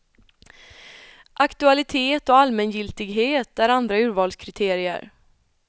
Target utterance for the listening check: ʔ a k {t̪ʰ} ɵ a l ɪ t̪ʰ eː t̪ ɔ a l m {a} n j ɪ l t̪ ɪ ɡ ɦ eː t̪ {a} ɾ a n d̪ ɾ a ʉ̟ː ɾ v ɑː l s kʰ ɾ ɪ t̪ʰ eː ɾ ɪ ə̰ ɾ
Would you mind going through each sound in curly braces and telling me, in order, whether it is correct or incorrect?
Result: incorrect, incorrect, incorrect

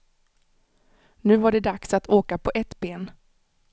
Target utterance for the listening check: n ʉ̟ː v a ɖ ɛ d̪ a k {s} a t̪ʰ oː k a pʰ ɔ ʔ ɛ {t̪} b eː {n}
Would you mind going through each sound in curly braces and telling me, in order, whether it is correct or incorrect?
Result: correct, correct, correct

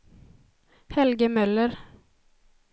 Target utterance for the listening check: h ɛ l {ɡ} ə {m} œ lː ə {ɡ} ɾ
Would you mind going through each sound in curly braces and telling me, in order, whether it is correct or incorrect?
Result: correct, correct, incorrect

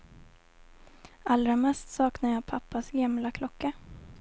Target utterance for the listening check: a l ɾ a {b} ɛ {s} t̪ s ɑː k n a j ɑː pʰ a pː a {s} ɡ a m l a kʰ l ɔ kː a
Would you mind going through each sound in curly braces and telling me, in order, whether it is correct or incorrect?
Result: incorrect, correct, correct

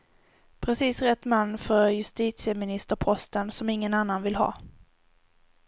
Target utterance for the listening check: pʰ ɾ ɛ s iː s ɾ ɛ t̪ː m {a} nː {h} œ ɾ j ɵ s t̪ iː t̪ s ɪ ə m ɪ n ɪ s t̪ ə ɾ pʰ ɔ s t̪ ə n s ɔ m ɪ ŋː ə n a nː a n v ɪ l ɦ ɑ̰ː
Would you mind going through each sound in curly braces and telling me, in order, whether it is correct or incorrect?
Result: correct, incorrect

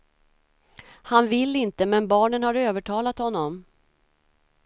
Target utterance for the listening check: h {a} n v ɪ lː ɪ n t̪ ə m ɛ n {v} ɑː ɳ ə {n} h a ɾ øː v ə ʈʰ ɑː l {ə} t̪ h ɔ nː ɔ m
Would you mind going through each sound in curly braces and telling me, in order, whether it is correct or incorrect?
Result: correct, incorrect, correct, incorrect

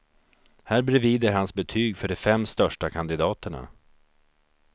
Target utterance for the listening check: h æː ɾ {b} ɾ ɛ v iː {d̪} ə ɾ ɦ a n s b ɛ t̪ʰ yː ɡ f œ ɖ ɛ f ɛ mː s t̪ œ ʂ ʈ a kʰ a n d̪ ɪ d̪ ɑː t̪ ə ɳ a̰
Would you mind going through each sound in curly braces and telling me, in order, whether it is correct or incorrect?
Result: correct, correct

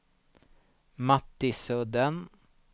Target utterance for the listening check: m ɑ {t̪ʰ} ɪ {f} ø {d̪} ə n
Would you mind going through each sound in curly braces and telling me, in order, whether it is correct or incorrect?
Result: incorrect, incorrect, correct

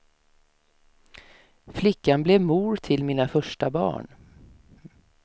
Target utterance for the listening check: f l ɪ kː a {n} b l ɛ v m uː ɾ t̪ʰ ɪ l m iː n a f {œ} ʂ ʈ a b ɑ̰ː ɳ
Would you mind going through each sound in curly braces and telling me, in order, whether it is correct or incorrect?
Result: correct, correct

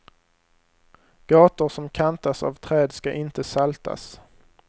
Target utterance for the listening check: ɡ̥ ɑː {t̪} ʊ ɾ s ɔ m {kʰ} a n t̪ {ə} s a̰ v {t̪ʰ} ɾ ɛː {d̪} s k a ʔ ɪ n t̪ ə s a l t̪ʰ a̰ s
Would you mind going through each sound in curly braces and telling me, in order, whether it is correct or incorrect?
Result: correct, correct, incorrect, correct, correct

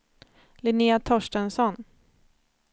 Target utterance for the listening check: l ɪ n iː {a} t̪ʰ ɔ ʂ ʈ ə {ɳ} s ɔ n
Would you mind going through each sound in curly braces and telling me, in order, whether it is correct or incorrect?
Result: correct, incorrect

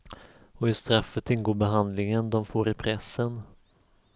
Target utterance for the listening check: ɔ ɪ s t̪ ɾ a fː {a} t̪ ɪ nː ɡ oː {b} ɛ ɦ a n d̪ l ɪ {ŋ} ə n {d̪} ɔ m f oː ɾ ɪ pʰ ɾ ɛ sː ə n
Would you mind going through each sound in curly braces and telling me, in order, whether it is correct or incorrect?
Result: incorrect, correct, correct, correct

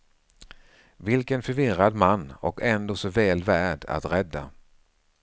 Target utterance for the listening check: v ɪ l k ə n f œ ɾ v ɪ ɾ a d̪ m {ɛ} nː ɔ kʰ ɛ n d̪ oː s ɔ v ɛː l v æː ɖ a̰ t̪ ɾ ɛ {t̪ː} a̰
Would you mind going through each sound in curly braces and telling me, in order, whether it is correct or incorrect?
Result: incorrect, incorrect

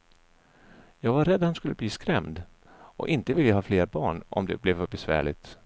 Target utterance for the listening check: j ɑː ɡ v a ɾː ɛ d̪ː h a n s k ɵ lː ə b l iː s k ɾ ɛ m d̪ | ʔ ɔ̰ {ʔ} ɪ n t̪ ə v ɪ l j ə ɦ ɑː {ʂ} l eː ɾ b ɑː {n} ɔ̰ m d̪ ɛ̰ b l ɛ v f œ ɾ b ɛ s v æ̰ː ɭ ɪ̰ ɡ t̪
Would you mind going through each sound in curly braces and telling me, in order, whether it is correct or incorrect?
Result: correct, incorrect, incorrect

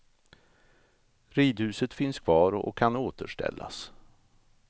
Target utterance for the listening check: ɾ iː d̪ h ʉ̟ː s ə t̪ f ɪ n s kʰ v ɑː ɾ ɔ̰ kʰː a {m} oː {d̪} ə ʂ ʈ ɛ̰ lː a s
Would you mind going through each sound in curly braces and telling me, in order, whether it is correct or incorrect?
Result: incorrect, incorrect

